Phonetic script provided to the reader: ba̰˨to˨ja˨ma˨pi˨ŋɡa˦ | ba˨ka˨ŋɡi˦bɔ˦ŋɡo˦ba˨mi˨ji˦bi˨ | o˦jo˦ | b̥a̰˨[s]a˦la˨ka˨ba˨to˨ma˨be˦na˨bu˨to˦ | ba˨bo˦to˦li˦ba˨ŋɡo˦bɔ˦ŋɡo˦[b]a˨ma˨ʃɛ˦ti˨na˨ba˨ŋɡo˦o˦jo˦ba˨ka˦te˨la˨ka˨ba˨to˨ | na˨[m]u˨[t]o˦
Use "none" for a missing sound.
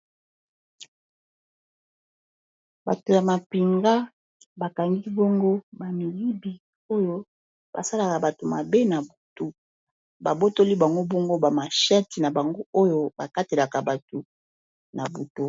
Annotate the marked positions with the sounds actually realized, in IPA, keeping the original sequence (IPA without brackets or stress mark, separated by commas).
s, b, b, t